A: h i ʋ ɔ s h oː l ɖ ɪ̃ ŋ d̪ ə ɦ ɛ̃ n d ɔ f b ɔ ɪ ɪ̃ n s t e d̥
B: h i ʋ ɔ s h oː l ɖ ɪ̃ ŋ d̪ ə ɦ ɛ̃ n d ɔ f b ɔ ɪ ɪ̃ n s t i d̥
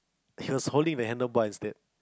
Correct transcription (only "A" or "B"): A